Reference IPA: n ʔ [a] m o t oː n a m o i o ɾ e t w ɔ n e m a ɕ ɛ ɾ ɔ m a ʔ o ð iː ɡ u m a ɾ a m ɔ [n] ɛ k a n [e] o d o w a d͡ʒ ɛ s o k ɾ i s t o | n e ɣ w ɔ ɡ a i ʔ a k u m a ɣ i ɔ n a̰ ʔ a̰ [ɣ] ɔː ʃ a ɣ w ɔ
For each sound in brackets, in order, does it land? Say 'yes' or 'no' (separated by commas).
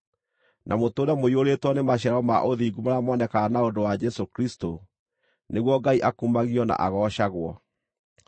yes, yes, no, yes